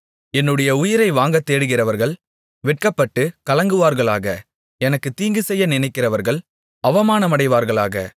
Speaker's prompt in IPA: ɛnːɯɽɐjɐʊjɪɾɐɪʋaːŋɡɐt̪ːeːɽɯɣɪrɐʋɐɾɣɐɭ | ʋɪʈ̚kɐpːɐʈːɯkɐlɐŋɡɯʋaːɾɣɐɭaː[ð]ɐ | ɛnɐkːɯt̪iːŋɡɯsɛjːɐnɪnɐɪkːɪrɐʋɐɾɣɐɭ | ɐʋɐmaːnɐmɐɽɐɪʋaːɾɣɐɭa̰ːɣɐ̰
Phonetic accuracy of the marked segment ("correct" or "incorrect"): incorrect